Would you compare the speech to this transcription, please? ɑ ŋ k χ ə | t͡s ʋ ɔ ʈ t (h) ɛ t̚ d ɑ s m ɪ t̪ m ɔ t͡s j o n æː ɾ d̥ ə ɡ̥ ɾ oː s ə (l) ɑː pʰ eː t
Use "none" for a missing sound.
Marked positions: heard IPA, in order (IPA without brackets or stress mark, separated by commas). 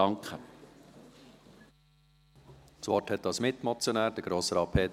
h, ɾ